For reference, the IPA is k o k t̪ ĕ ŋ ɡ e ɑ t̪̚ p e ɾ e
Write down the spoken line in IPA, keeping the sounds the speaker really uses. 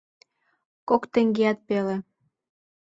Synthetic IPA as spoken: k o k t̪ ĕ ŋ ɡ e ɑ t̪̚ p e l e